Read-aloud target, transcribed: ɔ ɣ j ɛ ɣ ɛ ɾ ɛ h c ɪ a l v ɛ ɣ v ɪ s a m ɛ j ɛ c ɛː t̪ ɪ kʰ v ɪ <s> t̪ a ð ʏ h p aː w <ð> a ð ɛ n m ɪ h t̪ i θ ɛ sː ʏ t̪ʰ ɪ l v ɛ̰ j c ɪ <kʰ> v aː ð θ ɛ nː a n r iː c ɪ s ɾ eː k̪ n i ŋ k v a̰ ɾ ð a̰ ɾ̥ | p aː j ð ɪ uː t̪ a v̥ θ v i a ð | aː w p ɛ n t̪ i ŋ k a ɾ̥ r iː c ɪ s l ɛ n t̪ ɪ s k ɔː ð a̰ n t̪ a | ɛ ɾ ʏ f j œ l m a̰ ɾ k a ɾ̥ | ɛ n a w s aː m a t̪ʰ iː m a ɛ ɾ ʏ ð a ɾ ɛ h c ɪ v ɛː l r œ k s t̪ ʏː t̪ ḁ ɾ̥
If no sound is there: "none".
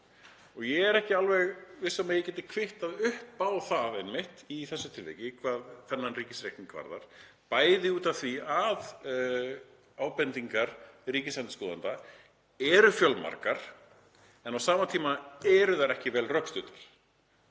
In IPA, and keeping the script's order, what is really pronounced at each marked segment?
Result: h, θ, kʰ

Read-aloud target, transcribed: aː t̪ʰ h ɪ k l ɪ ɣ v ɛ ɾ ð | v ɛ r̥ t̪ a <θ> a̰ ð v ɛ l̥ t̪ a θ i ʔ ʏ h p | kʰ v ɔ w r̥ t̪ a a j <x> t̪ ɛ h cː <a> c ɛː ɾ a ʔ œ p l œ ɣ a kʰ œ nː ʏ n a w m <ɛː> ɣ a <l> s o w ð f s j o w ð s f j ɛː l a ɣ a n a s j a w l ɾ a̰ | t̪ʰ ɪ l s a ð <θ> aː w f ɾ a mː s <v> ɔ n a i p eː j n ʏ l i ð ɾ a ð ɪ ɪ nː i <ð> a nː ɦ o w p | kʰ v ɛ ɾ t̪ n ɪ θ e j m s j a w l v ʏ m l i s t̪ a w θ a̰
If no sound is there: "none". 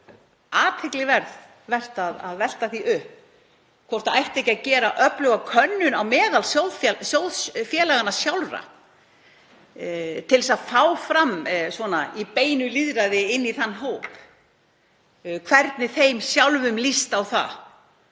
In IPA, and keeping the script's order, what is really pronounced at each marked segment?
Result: ð, h, a, ɛː, l, f, v, θ

